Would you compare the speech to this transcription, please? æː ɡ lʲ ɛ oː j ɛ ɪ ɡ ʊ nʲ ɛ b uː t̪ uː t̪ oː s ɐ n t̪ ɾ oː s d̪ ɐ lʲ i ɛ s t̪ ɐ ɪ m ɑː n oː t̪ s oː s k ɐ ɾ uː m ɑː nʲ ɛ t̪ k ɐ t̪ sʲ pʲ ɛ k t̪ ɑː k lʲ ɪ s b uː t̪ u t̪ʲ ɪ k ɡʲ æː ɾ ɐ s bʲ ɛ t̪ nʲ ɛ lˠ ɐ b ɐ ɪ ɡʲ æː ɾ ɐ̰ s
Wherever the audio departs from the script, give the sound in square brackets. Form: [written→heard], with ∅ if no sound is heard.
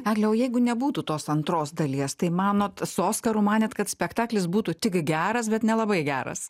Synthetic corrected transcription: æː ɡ lʲ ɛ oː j ɛ ɪ ɡ ʊ nʲ ɛ b uː t̪ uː t̪ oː s ɐ n t̪ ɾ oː s d̪ ɐ lʲ i ɛ s t̪ ɐ ɪ m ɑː n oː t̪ s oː s k ɐ ɾ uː m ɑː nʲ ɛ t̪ k ɐ t̪ sʲ pʲ ɛ k t̪ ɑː k lʲ ɪ s b uː t̪ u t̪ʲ ɪ k ɡʲ æː ɾ ɐ s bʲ ɛ t̪ nʲ ɛ lˠ ɐ b ɐ ɪ ɡʲ æː ɾ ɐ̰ s